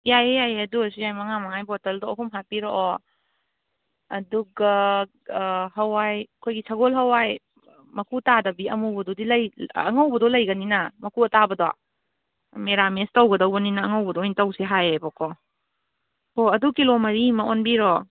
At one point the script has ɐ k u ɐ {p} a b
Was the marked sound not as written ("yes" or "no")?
yes